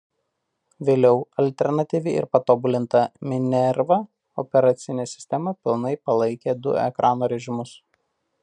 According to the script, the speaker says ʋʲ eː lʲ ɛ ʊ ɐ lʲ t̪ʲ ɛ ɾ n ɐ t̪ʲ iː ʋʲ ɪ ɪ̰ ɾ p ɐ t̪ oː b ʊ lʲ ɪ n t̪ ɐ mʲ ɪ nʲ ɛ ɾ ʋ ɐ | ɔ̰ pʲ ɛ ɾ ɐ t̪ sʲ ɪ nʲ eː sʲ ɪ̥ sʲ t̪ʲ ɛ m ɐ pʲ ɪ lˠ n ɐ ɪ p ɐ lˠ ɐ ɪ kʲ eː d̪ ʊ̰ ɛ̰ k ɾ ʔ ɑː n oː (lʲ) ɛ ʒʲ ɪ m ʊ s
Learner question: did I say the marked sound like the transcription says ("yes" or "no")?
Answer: no